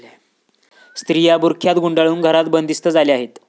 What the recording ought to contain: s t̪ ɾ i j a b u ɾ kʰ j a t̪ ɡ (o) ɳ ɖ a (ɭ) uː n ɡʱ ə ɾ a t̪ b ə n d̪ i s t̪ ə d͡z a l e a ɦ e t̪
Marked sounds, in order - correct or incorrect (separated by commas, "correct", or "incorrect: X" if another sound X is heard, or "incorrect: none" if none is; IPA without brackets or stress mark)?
incorrect: u, correct